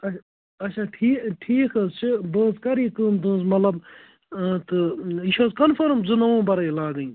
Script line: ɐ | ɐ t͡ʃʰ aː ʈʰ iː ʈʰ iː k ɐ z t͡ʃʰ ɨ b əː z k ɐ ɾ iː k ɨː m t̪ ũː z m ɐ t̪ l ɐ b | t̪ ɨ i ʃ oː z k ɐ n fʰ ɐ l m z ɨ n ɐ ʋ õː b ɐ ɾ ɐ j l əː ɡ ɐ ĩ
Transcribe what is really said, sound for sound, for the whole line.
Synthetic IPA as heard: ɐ | ɐ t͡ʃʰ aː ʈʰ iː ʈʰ iː k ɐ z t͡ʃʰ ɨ b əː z k ɐ ɾ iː k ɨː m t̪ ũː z m ɐ t̪ l ɐ b | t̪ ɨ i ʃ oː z k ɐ n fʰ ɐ ɾ m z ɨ n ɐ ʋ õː b ɐ ɾ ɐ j l aː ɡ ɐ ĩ